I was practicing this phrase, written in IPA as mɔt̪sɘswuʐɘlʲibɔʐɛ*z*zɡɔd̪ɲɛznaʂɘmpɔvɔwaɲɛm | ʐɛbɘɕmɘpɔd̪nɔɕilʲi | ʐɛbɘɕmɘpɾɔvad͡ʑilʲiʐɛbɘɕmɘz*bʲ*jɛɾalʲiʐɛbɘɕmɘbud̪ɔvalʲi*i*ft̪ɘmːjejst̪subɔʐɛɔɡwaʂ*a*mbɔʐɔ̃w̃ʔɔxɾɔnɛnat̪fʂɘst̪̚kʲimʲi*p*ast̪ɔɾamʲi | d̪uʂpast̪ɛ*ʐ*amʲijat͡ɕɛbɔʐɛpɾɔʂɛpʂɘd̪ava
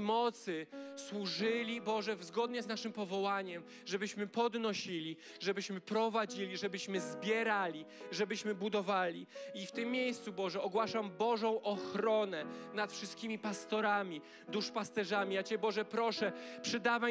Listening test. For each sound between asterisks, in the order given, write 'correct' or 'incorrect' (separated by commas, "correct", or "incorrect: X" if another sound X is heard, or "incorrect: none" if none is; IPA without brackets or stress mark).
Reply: incorrect: v, correct, correct, correct, correct, correct